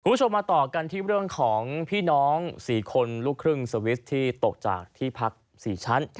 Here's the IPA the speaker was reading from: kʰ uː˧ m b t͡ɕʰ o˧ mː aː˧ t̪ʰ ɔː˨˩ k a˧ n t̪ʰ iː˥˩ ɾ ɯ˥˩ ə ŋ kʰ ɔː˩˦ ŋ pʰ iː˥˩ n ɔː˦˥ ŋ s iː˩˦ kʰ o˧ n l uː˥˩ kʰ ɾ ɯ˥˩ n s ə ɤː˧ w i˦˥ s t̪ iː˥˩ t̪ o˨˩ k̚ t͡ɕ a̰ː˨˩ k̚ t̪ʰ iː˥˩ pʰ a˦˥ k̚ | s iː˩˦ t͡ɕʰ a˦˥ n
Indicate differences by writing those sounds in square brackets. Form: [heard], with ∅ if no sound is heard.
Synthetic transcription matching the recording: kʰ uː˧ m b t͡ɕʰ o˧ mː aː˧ [t̪] ɔː˨˩ k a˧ n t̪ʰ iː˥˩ ɾ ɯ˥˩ ə ŋ kʰ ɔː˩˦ ŋ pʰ iː˥˩ n ɔː˦˥ ŋ s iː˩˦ kʰ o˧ n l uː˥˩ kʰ ɾ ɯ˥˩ [ŋ] s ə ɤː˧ w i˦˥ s [t̪ʰ] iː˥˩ t̪ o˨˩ k̚ t͡ɕ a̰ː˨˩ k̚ t̪ʰ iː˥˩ pʰ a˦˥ k̚ | s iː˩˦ t͡ɕʰ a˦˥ n